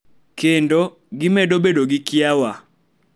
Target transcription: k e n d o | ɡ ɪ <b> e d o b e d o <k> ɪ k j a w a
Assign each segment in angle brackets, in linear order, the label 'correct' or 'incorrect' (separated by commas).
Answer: incorrect, incorrect